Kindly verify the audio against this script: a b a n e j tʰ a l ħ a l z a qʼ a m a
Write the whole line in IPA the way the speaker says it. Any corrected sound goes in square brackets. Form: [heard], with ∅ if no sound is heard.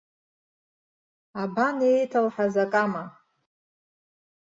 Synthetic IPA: a b a n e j tʰ a l ħ a [∅] z a [kʼ] a m a